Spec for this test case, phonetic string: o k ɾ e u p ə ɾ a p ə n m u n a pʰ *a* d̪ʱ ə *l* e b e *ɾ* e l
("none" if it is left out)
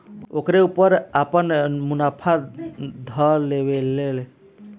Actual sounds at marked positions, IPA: a, l, l

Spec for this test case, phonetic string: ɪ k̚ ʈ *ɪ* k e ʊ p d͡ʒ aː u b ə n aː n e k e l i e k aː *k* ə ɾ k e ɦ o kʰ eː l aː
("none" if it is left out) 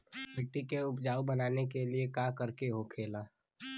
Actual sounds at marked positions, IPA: i, k

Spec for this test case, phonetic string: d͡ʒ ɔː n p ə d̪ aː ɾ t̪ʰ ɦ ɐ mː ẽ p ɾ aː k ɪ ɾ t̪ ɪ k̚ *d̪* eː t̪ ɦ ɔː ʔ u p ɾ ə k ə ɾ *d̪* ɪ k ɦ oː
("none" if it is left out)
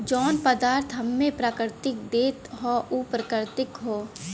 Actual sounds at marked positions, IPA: d̪, t̪

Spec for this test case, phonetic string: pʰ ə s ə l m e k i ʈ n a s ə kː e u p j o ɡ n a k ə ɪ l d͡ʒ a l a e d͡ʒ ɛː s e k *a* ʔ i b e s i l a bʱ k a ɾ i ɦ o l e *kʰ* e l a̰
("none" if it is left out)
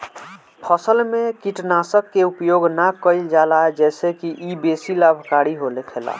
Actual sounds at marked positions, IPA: i, kʰ

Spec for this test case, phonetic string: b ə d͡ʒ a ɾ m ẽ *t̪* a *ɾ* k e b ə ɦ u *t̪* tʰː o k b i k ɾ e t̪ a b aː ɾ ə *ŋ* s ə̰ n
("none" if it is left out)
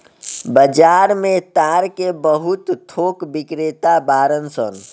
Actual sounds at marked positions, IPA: t̪, ɾ, t̪, n

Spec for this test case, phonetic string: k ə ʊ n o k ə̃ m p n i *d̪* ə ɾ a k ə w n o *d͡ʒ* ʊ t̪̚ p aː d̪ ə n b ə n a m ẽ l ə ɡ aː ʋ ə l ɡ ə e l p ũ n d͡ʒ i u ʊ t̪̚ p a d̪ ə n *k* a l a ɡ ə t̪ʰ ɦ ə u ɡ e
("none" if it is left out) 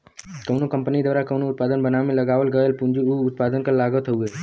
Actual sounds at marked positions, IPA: d̪, none, k

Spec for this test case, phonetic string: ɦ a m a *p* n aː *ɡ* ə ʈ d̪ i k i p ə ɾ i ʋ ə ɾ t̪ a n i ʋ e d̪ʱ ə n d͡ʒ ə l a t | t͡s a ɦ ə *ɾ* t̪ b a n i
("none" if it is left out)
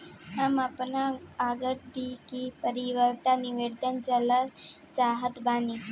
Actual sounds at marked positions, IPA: p, ɡ, none

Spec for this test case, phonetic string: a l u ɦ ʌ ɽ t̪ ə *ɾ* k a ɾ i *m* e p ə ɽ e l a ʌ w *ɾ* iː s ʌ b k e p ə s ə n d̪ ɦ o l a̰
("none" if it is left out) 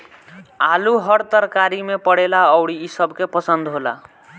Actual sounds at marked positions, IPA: ɾ, m, ɽ

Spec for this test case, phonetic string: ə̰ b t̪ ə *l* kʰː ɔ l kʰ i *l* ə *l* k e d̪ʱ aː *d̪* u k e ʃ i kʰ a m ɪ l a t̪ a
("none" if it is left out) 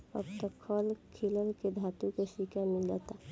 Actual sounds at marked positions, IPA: none, l, l, t̪

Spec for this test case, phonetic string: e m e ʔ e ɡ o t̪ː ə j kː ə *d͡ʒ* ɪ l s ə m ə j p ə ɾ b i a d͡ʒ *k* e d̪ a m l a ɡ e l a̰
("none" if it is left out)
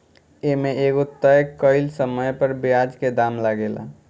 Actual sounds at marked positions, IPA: none, k

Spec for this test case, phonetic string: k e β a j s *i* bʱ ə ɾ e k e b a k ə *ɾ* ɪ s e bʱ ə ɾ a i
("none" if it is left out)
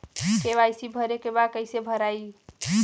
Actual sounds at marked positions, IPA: i, none

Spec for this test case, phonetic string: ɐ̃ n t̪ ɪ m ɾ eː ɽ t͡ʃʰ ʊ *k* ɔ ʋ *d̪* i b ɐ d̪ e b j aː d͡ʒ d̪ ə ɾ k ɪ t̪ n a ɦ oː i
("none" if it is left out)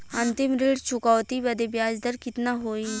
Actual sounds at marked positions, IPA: k, t̪

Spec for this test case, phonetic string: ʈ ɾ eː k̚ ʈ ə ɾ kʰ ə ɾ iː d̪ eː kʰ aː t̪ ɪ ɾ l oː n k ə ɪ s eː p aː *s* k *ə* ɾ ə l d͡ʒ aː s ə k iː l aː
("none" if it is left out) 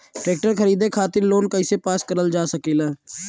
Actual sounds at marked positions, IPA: s, ə

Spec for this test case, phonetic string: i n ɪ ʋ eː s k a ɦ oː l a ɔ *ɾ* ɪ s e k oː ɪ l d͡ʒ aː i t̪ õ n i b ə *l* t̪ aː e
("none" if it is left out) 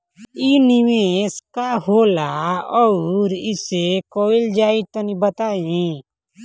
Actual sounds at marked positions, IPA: ɾ, none

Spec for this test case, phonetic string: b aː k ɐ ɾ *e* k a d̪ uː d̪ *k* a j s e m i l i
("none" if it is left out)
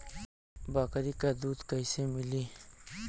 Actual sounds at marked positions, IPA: i, k

